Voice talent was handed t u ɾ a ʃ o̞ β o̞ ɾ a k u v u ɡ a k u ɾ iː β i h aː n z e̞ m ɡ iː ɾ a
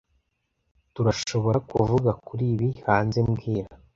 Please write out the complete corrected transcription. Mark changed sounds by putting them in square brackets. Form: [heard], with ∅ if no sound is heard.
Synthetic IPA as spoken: t u ɾ a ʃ o̞ β o̞ ɾ a k u v u ɡ a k u ɾ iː β i h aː n z e̞ m ɡ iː ɾ a

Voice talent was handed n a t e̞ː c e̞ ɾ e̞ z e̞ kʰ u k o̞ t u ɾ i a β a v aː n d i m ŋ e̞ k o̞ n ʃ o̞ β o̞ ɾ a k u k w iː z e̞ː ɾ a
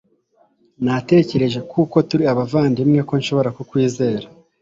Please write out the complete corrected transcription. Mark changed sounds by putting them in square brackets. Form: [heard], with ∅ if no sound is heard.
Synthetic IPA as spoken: n a t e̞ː c e̞ ɾ e̞ [ʒ] e̞ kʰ u k o̞ t u ɾ i a β a v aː n d i m ŋ e̞ k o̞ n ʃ o̞ β o̞ ɾ a k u k w iː z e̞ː ɾ a

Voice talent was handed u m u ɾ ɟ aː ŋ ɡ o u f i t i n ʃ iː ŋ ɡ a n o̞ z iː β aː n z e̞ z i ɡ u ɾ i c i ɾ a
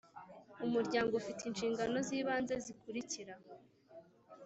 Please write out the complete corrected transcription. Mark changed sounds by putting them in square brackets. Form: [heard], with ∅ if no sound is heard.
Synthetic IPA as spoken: u m u ɾ ɟ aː ŋ ɡ o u f i t i n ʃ iː ŋ ɡ a n o̞ z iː β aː n z e̞ z i [k] u ɾ i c i ɾ a

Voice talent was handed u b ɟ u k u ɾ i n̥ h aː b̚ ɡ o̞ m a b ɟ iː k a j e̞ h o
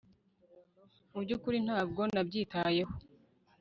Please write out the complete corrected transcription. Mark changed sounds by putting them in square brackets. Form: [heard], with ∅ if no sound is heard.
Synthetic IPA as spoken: u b ɟ u k u ɾ i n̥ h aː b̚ ɡ o̞ [n] a b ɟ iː [t] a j e̞ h o

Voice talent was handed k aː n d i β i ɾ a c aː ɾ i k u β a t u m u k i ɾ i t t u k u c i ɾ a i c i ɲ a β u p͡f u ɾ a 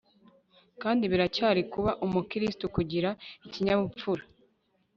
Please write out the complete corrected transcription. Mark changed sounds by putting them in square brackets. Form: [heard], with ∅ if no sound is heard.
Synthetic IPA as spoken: k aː n d i β i ɾ a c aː ɾ i k u β a [ʔ] u m u k i ɾ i [s] t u k u [ɟ] i ɾ a i c i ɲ a β u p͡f u ɾ a

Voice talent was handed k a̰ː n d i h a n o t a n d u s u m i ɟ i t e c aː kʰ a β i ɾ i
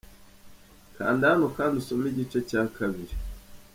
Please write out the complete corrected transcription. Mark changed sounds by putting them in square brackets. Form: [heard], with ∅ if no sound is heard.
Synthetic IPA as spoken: k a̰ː n d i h a n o [k] a n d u s [o] m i ɟ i [t͡ʃ] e c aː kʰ a β i ɾ i

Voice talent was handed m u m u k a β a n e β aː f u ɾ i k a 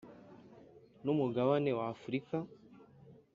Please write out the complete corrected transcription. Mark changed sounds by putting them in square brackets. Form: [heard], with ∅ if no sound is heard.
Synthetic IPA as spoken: [n] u m u [ɡ] a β a n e [w] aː f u ɾ i k a

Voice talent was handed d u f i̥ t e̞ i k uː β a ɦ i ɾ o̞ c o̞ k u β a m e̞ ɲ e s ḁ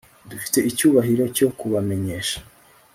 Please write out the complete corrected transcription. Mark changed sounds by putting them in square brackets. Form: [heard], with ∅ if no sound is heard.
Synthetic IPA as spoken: d u f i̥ t e̞ i [c] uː β a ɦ i ɾ o̞ c o̞ k u β a m e̞ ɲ e [ʃ] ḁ

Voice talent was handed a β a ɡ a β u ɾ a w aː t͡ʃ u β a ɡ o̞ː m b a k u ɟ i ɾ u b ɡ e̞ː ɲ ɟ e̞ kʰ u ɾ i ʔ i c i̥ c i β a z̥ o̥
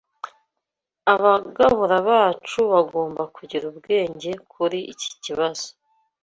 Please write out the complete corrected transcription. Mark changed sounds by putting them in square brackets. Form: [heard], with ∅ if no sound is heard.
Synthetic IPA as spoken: a β a ɡ a β u ɾ a [β] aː t͡ʃ u β a ɡ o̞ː m b a k u ɟ i ɾ u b ɡ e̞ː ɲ ɟ e̞ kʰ u ɾ i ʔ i c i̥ c i β a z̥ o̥

